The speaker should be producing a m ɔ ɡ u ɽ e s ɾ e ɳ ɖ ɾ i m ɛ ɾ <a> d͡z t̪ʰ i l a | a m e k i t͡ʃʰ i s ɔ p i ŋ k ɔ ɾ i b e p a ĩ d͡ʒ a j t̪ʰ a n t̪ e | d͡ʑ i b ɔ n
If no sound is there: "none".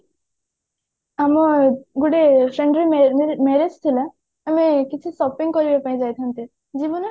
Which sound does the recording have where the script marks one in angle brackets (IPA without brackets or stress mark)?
e